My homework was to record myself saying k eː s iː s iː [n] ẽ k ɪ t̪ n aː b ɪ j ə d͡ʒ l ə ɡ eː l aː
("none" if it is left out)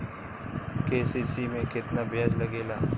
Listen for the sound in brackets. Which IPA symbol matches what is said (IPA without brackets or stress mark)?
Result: m